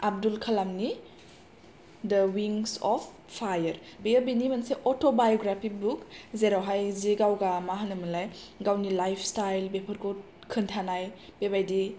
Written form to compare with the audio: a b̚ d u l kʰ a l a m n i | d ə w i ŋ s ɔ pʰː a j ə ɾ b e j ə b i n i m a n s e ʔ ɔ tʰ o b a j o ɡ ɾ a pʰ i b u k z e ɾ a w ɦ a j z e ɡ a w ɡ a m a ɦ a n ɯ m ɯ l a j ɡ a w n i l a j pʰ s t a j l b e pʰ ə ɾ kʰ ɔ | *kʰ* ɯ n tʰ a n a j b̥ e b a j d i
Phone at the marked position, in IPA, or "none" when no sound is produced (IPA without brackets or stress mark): kʰ